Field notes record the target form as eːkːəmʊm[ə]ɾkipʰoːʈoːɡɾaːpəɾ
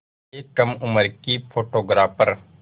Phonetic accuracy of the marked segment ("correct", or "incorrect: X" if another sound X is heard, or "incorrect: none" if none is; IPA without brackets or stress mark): correct